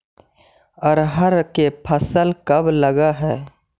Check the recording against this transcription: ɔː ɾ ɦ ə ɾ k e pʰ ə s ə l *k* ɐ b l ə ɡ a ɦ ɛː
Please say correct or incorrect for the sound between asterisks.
correct